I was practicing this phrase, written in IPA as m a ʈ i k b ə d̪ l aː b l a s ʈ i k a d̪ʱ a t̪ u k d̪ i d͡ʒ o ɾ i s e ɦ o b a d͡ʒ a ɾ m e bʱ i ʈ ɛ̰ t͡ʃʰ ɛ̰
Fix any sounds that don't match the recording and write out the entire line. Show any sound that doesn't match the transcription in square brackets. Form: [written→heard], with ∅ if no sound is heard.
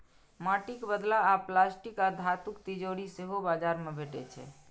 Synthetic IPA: m a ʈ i k b ə d̪ l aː [b→p] l a s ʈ i k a d̪ʱ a t̪ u k [d̪→t̪] i d͡ʒ o ɾ i s e ɦ o b a d͡ʒ a ɾ m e bʱ [i→e] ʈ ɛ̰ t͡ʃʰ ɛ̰

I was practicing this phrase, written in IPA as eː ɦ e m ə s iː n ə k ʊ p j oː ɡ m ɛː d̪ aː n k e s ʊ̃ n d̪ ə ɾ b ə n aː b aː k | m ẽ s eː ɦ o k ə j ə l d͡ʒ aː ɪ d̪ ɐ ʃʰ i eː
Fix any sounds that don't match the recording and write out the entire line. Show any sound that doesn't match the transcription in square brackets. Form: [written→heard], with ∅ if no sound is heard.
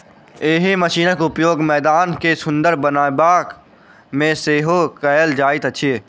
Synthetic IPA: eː ɦ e m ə [s→ʃ] iː n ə k ʊ p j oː ɡ m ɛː d̪ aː n k e s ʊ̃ n d̪ ə ɾ b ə n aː b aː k | m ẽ s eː ɦ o k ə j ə l d͡ʒ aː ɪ [d̪→t̪] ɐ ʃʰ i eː

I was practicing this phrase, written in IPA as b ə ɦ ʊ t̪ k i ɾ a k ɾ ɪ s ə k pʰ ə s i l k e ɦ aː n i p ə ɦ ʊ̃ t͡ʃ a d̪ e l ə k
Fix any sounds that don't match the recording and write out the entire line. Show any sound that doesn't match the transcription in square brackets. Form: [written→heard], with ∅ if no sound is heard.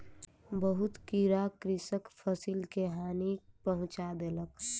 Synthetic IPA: b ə ɦ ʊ t̪ k i ɾ a k ɾ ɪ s ə k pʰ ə s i l k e ɦ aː n i p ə ɦ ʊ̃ t͡ʃ a d̪ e l ə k

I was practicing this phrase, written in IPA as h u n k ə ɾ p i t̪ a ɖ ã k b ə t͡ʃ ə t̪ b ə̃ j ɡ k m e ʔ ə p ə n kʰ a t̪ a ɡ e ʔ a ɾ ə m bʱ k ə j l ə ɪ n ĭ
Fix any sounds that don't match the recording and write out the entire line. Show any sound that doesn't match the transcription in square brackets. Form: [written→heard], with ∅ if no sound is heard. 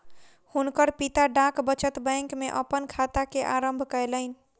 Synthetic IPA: h u n k ə ɾ p i t̪ a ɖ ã k b ə t͡ʃ ə t̪ b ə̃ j [ɡ→ŋ] k m e ʔ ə p ə n kʰ a t̪ a [ɡ→k] e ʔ a ɾ ə m bʱ k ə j l ə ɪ n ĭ

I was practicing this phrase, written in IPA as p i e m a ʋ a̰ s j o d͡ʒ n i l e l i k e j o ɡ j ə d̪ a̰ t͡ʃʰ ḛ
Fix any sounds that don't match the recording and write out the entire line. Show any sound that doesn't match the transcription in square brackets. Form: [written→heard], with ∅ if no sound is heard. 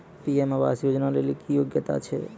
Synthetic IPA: p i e m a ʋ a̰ s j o d͡ʒ n [i→a] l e l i k [e→i] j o ɡ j ə [d̪→t̪] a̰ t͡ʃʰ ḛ

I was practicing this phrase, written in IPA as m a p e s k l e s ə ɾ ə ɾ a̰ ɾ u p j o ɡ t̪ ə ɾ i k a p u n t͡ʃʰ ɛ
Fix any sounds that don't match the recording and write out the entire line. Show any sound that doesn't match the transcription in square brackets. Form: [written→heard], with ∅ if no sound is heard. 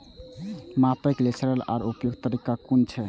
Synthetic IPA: m a p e [s→∅] k l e s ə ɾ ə [ɾ→l] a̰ ɾ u p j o ɡ t̪ ə ɾ i k a [p→k] u n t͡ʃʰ ɛ

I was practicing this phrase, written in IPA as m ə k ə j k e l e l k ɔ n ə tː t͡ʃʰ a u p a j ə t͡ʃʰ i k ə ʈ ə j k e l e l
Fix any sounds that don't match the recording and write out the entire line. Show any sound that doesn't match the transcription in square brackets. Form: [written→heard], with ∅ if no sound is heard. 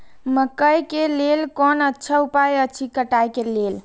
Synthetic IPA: m ə k ə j k e l e l k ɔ n ə tː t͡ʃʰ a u p a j ə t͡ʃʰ i k ə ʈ [ə→a] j k e l e l

